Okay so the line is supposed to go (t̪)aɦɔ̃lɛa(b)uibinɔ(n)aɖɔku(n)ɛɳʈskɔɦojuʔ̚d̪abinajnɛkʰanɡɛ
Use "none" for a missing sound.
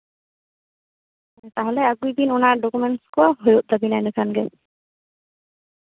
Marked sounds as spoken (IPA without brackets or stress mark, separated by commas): t̪, ɡ, n, m